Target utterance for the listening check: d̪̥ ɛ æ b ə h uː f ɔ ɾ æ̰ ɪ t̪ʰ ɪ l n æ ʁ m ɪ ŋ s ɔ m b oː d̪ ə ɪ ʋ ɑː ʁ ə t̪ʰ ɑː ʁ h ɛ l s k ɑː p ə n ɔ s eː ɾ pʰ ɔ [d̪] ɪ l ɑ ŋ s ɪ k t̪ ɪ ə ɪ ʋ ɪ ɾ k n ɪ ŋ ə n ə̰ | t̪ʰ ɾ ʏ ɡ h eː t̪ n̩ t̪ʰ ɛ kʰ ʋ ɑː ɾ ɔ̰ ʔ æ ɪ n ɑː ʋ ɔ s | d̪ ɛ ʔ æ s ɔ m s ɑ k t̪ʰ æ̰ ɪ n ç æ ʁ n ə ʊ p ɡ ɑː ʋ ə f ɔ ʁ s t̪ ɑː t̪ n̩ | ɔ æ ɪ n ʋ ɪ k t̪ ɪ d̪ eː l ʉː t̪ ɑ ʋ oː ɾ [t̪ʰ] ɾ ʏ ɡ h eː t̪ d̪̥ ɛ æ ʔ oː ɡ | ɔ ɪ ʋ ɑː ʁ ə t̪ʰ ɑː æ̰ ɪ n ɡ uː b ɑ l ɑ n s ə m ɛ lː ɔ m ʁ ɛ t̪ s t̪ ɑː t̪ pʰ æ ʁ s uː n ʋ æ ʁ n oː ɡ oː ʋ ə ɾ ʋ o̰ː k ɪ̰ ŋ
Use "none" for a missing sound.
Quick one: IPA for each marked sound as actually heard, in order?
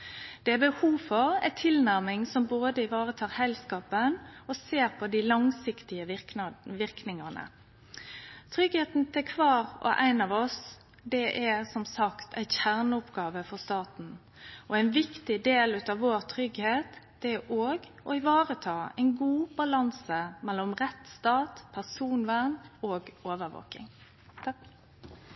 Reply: d̪, t̪ʰ

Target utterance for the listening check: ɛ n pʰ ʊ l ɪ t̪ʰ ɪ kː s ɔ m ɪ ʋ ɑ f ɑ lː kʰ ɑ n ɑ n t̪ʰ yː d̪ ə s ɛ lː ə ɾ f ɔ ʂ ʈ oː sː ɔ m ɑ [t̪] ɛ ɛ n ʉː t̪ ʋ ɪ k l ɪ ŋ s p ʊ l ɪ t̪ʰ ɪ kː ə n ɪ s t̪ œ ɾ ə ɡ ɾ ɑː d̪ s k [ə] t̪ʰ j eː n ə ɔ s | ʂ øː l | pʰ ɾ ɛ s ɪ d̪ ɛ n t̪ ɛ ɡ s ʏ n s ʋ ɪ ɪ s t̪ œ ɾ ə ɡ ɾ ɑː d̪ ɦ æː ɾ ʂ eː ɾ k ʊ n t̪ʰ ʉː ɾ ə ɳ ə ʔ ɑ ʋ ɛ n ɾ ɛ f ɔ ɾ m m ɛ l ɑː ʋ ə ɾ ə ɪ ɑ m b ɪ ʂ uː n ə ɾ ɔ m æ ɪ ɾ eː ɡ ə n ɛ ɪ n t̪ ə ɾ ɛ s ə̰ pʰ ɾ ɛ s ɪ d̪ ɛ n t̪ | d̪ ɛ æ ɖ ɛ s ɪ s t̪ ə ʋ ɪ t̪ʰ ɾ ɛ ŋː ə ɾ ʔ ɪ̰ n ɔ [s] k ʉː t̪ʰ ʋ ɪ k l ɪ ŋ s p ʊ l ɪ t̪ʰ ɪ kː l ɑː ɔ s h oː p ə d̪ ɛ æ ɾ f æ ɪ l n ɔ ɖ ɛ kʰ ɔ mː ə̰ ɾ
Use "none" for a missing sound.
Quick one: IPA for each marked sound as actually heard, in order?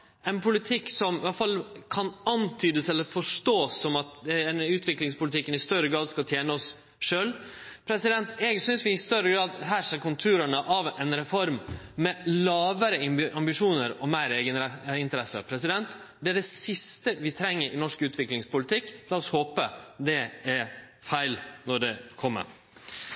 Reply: t̪, ɑ, ʂ

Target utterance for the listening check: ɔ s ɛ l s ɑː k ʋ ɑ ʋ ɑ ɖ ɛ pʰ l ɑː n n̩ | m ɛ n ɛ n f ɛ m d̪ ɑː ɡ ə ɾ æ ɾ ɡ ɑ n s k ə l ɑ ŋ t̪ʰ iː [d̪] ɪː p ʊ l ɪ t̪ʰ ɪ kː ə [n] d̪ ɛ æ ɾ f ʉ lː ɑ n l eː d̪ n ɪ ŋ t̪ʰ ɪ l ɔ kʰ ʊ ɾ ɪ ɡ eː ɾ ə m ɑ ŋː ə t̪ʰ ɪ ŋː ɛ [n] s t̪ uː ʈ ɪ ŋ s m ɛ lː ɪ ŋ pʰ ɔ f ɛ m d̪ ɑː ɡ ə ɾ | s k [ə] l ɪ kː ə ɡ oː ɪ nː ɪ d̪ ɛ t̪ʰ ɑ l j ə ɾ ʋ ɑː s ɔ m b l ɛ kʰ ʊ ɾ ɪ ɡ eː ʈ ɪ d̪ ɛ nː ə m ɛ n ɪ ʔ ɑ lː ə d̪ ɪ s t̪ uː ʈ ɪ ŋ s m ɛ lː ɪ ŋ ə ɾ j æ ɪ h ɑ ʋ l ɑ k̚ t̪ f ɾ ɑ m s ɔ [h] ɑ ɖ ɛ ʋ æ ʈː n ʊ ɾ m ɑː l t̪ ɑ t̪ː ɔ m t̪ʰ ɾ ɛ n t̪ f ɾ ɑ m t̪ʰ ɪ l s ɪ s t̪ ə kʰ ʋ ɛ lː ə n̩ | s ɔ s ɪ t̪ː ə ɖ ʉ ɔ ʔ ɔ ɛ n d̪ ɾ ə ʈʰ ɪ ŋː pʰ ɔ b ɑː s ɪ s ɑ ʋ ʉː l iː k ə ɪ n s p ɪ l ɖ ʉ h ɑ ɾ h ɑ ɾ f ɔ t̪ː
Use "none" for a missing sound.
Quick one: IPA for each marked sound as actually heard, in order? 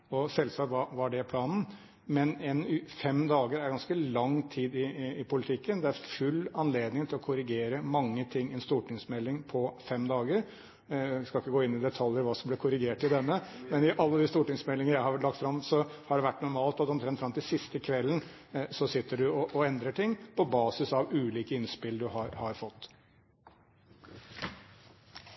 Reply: d̪, n, n, ɑ, h

